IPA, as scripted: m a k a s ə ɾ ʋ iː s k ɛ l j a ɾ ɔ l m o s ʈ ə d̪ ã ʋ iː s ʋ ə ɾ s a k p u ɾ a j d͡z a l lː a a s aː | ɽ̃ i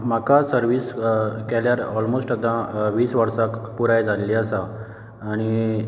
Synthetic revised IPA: m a k a s ə ɾ ʋ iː s k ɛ l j a ɾ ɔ l m o s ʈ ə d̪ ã ʋ iː s ʋ ə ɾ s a k p u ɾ a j d͡z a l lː i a s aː | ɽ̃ i